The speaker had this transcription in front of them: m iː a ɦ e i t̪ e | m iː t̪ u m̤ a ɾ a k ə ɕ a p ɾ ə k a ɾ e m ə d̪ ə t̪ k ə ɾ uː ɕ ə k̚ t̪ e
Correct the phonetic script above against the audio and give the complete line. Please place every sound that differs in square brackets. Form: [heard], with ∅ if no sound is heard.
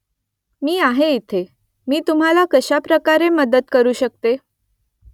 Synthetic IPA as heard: m iː a ɦ e i [t̪ʰ] e | m iː t̪ u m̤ a [l] a k ə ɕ a p ɾ ə k a ɾ e m ə d̪ ə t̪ k ə ɾ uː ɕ ə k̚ t̪ e